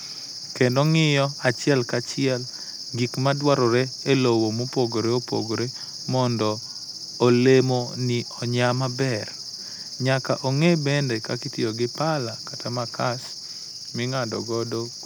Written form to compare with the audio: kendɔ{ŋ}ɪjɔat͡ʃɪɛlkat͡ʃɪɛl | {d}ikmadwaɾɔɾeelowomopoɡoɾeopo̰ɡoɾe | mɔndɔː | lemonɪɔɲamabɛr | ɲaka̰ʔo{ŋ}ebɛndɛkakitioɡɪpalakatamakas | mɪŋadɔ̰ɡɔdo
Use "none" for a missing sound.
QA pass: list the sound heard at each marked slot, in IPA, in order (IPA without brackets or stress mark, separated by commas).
ŋ, ɡ, ŋ